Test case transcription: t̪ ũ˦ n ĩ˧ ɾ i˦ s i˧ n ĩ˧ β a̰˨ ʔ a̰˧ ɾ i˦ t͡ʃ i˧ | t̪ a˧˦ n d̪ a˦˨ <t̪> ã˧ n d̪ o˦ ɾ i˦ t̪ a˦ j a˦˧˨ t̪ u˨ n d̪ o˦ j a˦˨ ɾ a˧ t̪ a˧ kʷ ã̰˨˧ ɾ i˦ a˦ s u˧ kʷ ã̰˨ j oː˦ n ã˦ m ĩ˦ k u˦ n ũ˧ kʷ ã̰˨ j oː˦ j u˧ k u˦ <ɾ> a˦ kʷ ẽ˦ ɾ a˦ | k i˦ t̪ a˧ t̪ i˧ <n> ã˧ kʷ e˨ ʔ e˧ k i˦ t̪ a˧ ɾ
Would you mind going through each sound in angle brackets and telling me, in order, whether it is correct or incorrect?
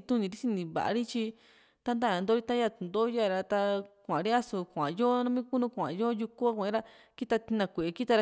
incorrect: none, incorrect: none, correct

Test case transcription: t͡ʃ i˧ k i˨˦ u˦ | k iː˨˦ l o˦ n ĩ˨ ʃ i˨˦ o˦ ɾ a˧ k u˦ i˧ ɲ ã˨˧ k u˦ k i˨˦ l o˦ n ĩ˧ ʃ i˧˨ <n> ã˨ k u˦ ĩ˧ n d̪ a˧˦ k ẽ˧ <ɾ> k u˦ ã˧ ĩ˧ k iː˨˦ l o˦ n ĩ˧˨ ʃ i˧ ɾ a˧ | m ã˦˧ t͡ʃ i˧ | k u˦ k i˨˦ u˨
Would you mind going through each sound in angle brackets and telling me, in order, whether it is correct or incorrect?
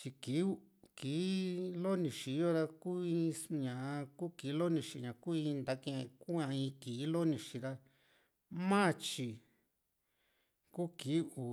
incorrect: ɲ, incorrect: none

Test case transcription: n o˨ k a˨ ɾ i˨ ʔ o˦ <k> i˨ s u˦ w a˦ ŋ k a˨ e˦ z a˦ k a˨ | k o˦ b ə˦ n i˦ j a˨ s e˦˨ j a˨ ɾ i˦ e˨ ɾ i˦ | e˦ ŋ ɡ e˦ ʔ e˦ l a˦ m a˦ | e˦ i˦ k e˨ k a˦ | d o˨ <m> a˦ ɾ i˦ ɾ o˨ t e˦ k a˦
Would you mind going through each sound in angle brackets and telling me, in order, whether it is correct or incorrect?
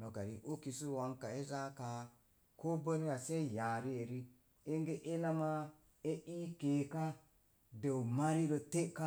correct, correct

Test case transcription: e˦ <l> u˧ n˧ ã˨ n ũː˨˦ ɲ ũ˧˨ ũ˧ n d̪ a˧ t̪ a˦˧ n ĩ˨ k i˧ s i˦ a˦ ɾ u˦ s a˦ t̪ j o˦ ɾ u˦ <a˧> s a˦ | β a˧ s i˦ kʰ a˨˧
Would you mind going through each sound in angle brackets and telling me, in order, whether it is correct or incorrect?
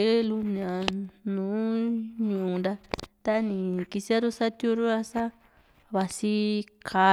correct, correct

